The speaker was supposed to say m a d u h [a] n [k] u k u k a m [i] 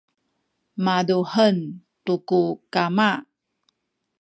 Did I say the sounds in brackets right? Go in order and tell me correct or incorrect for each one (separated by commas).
incorrect, incorrect, incorrect